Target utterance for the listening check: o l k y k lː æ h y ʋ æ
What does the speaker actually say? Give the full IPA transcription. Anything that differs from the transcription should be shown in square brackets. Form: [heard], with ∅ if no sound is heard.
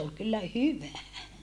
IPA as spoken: o l k y [∅] lː æ h y ʋ æ